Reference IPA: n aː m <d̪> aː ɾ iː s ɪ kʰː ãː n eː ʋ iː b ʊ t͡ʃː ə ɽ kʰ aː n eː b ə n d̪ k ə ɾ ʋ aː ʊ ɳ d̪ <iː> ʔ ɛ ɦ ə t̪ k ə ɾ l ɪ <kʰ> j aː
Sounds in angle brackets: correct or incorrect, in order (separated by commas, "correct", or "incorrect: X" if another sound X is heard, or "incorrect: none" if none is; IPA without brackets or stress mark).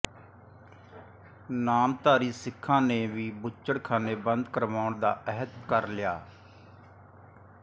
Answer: incorrect: t̪, incorrect: aː, incorrect: none